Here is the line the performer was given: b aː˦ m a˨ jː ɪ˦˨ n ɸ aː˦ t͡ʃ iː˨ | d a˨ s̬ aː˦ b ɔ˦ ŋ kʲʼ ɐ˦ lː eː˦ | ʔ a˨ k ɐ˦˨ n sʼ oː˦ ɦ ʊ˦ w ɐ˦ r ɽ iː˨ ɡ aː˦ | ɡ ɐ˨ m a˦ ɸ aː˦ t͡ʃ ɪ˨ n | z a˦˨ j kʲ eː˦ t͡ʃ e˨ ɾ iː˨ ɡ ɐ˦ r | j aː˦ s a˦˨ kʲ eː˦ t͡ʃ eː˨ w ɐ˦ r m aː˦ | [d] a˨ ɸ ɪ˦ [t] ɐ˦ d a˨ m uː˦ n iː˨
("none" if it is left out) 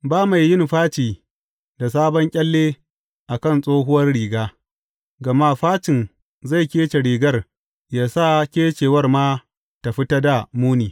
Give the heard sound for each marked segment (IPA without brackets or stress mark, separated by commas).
t, t